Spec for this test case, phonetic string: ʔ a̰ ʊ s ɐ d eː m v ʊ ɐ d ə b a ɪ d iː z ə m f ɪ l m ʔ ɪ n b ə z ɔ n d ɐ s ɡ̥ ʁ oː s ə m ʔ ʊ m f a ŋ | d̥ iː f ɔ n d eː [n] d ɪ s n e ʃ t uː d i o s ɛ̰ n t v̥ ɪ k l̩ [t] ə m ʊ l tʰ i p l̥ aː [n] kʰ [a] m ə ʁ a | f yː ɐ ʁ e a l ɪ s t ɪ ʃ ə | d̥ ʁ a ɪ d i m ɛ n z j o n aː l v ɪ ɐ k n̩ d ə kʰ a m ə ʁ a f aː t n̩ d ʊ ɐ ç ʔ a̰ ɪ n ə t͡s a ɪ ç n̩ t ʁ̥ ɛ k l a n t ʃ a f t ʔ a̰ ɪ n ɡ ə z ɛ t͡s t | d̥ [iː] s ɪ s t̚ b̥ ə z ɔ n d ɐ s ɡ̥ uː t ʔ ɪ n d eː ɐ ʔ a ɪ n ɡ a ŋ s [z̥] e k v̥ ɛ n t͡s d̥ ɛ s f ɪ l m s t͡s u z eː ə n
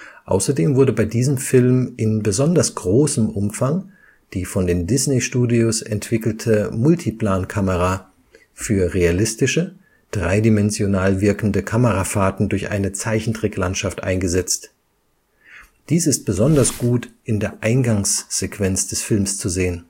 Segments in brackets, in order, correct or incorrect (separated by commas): correct, incorrect, correct, correct, correct, correct